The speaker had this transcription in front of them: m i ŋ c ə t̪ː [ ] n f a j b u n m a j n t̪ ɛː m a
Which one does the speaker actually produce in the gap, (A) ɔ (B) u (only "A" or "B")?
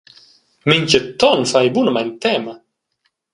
A